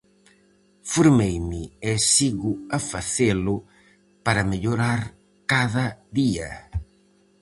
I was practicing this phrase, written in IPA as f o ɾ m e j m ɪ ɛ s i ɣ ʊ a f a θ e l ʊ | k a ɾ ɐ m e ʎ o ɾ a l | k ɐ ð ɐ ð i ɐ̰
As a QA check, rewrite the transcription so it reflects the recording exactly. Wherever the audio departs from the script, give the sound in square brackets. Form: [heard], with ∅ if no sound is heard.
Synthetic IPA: f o ɾ m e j m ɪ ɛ s i ɣ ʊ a f a θ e l ʊ | [p] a ɾ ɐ m e ʎ o ɾ a [ɾ] | k [a] ð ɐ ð i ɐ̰